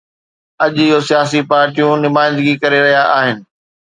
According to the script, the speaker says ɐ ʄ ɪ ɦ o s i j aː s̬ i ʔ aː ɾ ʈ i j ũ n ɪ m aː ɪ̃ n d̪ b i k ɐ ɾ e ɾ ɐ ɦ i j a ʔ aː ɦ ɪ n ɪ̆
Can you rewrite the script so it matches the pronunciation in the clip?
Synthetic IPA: ɐ ʄ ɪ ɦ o s i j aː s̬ i p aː ɾ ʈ i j ũ n ɪ m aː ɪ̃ n d̪ ɡ i k ɐ ɾ e ɾ ɐ ɦ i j a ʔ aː ɦ ɪ n ɪ̆